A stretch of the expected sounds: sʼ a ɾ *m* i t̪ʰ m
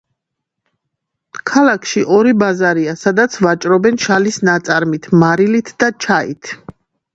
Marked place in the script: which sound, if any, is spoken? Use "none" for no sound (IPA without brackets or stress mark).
m